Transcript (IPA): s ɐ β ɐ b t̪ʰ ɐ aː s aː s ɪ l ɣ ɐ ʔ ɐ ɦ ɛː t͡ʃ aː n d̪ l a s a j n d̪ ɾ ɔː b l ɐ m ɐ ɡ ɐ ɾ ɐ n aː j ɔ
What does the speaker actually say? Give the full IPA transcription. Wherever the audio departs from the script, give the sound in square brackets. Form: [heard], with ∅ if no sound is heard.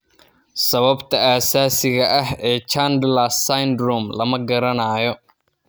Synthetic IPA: s ɐ β ɐ b t̪ʰ ɐ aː s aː s ɪ [∅] ɣ ɐ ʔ ɐ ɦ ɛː t͡ʃ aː n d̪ l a s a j n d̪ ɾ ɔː [m] l ɐ m ɐ ɡ ɐ ɾ ɐ n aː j ɔ